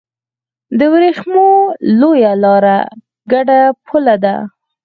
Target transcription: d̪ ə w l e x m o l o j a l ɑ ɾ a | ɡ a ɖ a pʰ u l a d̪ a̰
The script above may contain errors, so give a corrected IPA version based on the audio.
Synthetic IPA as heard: d̪ ə w ɾ e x m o l o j a l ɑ ɾ a | ɡ a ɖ a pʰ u l a d̪ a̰